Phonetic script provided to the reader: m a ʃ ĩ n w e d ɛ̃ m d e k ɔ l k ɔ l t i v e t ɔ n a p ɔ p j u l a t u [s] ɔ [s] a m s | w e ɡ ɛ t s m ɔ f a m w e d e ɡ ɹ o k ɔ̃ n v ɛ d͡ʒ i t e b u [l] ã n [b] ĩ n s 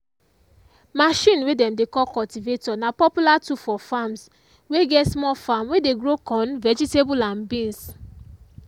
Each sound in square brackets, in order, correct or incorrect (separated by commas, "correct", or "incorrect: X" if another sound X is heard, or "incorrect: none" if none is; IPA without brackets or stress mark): incorrect: f, incorrect: f, correct, correct